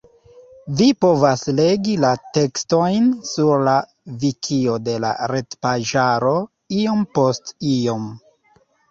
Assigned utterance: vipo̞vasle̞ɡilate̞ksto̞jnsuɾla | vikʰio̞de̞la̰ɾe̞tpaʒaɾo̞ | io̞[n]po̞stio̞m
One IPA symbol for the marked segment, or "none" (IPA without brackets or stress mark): m